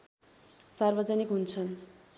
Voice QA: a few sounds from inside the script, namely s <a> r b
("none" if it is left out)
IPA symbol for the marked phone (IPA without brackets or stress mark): a